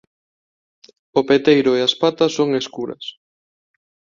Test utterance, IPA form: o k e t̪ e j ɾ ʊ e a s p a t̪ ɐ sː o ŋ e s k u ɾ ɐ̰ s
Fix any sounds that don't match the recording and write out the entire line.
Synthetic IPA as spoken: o p e t̪ e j ɾ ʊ e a s p a t̪ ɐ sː o ŋ e s k u ɾ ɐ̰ s